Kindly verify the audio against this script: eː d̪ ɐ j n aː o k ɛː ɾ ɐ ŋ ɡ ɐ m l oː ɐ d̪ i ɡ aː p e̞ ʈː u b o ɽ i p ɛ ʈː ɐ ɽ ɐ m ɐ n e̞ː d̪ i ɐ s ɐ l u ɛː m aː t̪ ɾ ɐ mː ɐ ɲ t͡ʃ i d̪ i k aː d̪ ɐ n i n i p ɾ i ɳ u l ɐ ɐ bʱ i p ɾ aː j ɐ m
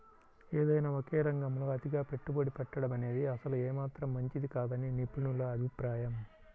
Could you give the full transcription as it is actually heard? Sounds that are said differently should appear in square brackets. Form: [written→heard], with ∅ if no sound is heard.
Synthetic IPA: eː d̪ ɐ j n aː o k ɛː ɾ ɐ ŋ ɡ ɐ m l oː ɐ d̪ i ɡ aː p e̞ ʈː u b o ɽ i p ɛ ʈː ɐ ɽ ɐ m ɐ n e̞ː d̪ i ɐ s ɐ l u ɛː m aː t̪ ɾ ɐ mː ɐ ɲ t͡ʃ i d̪ i k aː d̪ ɐ n i n i p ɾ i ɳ u l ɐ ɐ bʱ i p ɾ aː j ɐ m

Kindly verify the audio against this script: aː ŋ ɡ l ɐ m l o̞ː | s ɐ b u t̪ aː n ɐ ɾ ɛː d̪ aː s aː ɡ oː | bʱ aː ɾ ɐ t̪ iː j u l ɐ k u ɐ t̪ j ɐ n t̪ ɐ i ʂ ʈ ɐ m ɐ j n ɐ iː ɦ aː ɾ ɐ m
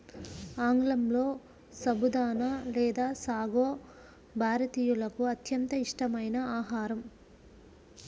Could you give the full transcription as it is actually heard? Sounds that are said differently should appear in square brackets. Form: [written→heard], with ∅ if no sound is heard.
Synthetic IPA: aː ŋ ɡ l ɐ m l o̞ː | s ɐ b u [t̪→d̪] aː n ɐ [ɾ→l] ɛː d̪ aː s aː ɡ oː | bʱ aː ɾ ɐ t̪ iː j u l ɐ k u ɐ t̪ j ɐ n t̪ ɐ i ʂ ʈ ɐ m ɐ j n ɐ [iː→aː] ɦ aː ɾ ɐ m

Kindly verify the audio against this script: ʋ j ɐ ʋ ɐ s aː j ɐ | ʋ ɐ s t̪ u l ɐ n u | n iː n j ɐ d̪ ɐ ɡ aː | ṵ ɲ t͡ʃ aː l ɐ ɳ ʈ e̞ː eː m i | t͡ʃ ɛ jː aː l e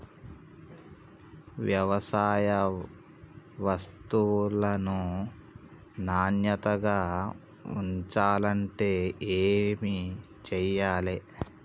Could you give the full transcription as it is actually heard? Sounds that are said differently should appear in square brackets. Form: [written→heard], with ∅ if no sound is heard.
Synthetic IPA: ʋ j ɐ ʋ ɐ s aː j ɐ | ʋ ɐ s t̪ u l ɐ n u | n [iː→aː] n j ɐ [d̪→t̪] ɐ ɡ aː | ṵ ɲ t͡ʃ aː l ɐ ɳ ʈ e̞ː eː m i | t͡ʃ ɛ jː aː l e

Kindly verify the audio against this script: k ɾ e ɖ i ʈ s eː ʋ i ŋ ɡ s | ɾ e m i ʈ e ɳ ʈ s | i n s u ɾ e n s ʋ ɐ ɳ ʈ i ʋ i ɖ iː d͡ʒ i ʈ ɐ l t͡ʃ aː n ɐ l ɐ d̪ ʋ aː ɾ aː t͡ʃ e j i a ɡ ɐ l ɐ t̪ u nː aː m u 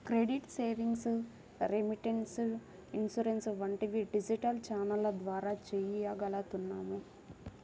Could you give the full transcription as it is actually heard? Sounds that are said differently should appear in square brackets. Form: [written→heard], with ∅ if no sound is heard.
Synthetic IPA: k ɾ e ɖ i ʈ s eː ʋ i ŋ ɡ s | ɾ e m i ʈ e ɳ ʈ s | i n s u ɾ e n s ʋ ɐ ɳ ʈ i ʋ i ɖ [iː→i] d͡ʒ i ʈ ɐ l t͡ʃ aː n ɐ l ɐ d̪ ʋ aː ɾ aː t͡ʃ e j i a ɡ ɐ l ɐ t̪ u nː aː m u

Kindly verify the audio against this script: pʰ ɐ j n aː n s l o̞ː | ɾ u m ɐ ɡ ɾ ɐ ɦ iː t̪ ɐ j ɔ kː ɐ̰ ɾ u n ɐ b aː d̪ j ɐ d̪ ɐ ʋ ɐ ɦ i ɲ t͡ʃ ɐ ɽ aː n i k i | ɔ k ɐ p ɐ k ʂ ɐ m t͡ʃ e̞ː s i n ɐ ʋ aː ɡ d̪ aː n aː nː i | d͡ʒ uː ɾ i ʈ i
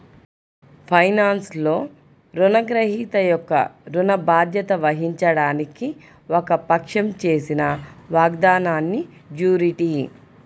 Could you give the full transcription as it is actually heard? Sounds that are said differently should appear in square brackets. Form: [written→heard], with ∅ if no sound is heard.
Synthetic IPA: pʰ ɐ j n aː n s l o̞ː | ɾ u [m→n] ɐ ɡ ɾ ɐ ɦ iː t̪ ɐ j ɔ kː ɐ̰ ɾ u n ɐ b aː d̪ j ɐ [d̪→t̪] ɐ ʋ ɐ ɦ i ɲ t͡ʃ ɐ ɽ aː n i k i | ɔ k ɐ p ɐ k ʂ ɐ m t͡ʃ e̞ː s i n ɐ ʋ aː ɡ d̪ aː n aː nː i | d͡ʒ uː ɾ i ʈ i

